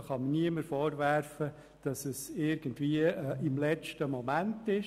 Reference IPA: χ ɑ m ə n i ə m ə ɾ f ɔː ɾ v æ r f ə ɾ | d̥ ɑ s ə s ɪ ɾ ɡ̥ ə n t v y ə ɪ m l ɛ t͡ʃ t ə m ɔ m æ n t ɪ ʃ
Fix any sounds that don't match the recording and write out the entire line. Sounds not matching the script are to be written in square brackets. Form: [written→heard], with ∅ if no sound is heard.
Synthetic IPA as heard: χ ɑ m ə n i ə m ə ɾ f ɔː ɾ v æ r f ə [ɾ→∅] | d̥ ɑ s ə s ɪ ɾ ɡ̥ ə n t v [y→i] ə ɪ m l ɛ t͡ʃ t ə m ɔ m æ n t ɪ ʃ